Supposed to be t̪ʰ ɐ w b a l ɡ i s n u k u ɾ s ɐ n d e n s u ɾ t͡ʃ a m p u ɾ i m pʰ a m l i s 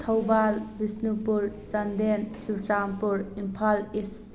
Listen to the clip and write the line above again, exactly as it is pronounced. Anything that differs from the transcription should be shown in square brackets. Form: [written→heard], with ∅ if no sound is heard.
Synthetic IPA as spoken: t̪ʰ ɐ w b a l [ɡ→b] i s n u [k→p] u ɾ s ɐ n d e n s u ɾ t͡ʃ a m p u ɾ i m pʰ a [m→∅] l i s